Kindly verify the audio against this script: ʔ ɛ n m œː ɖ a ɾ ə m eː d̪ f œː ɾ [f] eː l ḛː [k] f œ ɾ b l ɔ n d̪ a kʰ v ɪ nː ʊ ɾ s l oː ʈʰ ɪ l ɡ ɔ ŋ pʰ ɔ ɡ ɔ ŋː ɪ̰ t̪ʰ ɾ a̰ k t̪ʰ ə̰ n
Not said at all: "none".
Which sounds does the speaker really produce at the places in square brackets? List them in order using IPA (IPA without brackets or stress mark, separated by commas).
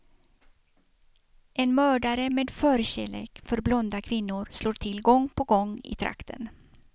ɕ, k